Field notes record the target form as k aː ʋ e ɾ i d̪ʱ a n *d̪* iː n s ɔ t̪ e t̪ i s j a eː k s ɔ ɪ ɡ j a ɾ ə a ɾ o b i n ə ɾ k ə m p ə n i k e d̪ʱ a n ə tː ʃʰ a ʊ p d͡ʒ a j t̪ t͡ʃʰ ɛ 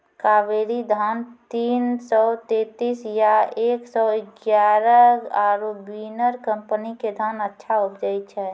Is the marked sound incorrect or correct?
incorrect